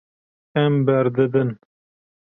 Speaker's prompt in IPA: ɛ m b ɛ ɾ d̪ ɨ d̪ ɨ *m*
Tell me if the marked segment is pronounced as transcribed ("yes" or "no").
no